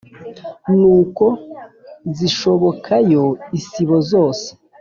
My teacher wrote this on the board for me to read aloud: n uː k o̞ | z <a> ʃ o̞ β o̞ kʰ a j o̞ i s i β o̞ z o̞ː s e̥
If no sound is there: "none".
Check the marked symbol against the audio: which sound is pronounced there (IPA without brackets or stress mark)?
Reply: i